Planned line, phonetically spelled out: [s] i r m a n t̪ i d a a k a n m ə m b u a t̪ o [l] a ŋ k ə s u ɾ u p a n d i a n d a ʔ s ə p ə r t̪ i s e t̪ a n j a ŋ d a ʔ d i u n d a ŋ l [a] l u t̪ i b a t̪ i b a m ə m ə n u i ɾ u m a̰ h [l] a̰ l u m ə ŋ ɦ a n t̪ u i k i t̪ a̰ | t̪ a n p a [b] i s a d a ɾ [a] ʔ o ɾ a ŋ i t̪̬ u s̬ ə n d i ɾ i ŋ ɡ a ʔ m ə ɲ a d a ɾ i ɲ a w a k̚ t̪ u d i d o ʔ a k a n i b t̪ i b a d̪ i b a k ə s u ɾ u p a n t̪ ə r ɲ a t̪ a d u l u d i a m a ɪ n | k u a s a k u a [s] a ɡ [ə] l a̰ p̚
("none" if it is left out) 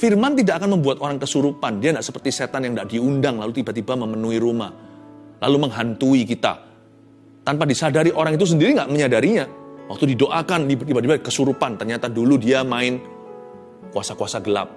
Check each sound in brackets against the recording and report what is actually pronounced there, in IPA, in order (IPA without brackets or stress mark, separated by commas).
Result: f, ɾ, a, l, d, i, s, ə